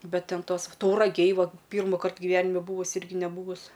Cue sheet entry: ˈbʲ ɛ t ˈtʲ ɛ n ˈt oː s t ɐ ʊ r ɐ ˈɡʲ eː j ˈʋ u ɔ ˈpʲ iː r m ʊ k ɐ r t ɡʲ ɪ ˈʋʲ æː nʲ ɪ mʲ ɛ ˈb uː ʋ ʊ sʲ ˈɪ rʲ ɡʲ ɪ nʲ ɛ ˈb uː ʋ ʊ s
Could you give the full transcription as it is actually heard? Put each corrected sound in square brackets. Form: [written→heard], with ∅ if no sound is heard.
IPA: ˈbʲ ɛ t ˈtʲ ɛ n ˈt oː s t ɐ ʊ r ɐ ˈɡʲ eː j ˈʋ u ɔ ˈpʲ iː r m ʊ k ɐ r t ɡʲ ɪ ˈʋʲ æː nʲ ɪ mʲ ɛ ˈb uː ʋ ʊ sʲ ˈɪ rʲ ɡʲ ɪ nʲ ɛ ˈb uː ʋ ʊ s